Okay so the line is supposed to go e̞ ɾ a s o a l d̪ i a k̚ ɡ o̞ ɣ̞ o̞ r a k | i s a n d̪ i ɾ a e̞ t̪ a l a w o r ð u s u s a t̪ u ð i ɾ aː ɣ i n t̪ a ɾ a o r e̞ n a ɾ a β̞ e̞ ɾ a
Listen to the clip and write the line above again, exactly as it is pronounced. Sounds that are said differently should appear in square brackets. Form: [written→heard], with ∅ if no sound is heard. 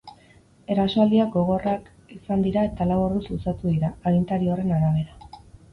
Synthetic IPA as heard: e̞ ɾ a s o a l d̪ i a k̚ ɡ o̞ ɣ̞ o̞ r a k | i s a n d̪ i ɾ a e̞ t̪ a l a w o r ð u s u s a t̪ u ð i ɾ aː ɣ i n t̪ a ɾ [a→i] o r e̞ n a ɾ a β̞ e̞ ɾ a